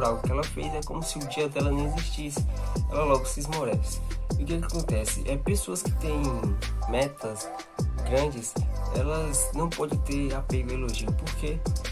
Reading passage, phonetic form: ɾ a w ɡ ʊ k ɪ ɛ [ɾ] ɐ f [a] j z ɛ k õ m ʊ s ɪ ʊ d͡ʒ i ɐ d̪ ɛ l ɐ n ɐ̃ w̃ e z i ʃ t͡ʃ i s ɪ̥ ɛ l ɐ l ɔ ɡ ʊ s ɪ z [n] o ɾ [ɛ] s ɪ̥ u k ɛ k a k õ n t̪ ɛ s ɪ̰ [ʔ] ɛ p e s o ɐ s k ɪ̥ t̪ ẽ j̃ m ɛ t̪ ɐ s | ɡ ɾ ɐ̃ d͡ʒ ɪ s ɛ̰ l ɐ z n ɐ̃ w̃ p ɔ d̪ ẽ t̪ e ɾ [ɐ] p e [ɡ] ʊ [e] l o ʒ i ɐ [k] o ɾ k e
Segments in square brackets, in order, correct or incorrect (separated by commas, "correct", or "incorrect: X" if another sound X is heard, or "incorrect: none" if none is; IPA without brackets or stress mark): incorrect: l, incorrect: e, incorrect: m, correct, correct, incorrect: a, correct, correct, incorrect: p